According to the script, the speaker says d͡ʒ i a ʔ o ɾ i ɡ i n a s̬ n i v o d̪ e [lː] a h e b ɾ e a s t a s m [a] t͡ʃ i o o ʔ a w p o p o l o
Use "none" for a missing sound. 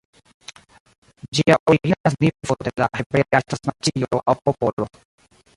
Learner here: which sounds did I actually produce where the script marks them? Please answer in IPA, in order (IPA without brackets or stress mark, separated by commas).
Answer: l, a